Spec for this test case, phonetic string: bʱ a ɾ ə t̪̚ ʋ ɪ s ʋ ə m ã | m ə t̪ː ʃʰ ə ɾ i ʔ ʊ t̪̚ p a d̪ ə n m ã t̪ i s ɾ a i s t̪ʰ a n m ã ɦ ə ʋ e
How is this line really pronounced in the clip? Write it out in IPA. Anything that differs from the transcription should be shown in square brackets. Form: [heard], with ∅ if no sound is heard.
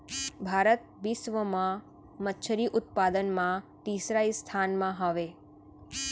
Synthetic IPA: bʱ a ɾ ə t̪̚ ʋ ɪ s ʋ ə m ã | m ə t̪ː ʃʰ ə ɾ i ʔ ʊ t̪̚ p a d̪ ə n m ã t̪ i s ɾ a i s t̪ʰ a n m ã ɦ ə ʋ e